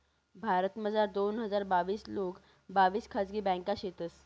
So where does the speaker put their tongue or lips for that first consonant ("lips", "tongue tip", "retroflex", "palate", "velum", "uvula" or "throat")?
lips